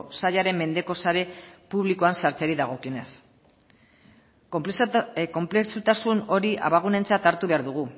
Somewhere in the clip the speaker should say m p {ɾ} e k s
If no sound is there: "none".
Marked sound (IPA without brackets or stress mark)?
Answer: l